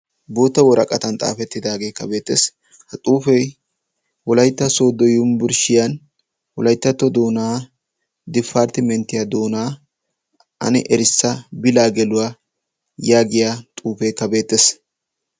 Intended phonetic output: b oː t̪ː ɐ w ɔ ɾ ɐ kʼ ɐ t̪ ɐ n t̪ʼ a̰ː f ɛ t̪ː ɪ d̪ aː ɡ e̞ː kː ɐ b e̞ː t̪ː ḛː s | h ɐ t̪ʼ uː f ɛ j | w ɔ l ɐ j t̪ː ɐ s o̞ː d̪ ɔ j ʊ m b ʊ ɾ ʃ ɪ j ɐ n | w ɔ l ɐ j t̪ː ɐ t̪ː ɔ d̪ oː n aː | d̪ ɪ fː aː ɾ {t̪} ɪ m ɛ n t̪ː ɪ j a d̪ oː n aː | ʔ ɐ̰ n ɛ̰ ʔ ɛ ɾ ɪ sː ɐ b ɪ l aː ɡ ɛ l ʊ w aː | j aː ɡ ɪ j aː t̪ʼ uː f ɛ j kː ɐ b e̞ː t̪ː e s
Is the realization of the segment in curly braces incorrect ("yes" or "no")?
no